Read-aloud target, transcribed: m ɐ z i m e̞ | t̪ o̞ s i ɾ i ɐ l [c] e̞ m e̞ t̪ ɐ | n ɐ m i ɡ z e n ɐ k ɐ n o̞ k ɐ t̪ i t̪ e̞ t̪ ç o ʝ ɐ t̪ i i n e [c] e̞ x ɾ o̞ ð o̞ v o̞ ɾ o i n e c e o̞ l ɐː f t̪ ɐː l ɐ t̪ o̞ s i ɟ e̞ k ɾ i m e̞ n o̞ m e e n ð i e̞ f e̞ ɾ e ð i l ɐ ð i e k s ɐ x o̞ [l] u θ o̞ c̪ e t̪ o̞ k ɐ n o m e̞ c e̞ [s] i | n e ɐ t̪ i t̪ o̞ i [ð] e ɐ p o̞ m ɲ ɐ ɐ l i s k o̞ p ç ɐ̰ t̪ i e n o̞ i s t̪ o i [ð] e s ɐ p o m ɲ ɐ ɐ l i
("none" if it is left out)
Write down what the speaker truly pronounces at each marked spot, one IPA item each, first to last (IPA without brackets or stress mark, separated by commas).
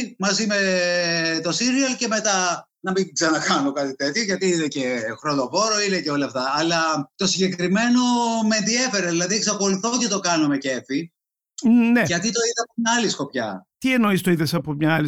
c, c, l, f, ð, ð